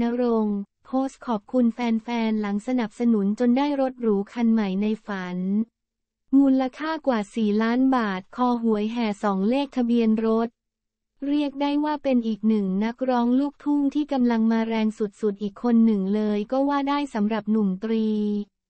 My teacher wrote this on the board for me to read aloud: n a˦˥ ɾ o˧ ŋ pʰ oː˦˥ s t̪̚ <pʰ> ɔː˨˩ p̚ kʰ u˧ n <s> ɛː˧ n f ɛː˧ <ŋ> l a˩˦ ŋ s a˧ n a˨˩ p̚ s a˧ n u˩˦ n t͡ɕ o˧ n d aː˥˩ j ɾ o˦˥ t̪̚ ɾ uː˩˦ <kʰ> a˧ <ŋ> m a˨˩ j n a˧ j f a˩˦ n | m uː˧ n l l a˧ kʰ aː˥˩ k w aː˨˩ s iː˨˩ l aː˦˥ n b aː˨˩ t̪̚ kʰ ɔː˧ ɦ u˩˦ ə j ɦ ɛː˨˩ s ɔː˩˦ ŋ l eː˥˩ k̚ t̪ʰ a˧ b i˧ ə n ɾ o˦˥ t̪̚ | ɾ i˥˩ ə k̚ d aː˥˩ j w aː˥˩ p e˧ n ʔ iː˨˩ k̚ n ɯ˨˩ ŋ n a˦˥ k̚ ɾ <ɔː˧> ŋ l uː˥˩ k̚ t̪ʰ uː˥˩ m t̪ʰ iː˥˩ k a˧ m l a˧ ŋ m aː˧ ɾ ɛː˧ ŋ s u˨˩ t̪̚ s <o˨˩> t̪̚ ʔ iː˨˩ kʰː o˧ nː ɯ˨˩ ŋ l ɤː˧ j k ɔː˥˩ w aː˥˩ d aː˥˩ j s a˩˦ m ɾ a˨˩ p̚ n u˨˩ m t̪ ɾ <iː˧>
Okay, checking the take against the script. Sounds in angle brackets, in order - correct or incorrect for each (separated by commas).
incorrect, incorrect, incorrect, correct, incorrect, incorrect, incorrect, correct